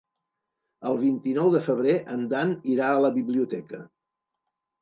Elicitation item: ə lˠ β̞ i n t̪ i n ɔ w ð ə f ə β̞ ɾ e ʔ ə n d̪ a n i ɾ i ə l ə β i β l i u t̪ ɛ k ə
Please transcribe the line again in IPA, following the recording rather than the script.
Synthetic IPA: ə lˠ β̞ i n t̪ i n ɔ w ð ə f ə β̞ ɾ e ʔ ə n d̪ a n i ɾ a ə l ə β i β l i u t̪ ɛ k ə